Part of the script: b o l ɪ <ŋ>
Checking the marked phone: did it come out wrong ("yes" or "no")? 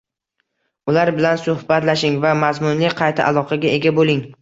no